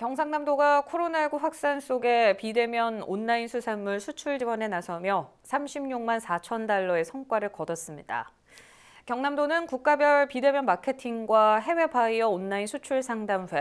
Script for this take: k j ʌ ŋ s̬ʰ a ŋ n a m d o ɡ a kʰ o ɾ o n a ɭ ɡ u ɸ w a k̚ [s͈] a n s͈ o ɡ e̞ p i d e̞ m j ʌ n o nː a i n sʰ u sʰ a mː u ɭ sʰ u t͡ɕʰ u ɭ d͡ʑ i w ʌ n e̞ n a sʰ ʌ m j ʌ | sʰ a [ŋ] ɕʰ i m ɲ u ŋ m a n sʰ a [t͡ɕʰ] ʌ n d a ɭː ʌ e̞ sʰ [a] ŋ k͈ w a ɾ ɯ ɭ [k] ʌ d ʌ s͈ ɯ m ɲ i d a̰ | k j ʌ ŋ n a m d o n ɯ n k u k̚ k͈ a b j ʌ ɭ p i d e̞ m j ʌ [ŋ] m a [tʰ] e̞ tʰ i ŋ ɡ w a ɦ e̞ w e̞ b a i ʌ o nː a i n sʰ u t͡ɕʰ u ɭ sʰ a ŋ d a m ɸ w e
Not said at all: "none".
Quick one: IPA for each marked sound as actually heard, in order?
s͈, m, t͡ɕʰ, ʌ, k, n, kʰ

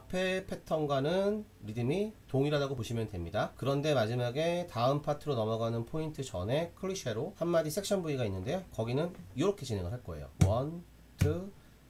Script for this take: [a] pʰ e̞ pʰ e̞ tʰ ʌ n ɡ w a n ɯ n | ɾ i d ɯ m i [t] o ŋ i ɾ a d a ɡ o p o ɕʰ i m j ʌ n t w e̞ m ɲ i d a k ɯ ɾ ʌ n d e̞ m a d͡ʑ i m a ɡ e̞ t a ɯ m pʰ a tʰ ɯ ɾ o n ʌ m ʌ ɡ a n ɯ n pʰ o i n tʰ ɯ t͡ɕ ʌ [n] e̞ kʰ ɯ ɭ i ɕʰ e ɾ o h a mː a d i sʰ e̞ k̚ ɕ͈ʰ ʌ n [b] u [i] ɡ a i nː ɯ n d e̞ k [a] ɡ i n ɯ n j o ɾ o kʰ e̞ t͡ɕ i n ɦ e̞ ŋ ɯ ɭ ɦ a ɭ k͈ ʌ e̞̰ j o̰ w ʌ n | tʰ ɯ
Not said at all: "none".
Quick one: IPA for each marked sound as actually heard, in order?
a, t, n, b, i, ʌ

